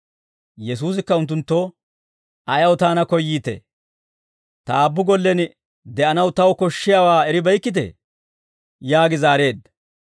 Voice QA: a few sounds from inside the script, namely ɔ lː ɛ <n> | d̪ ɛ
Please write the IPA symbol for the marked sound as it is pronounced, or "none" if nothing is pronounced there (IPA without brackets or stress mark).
n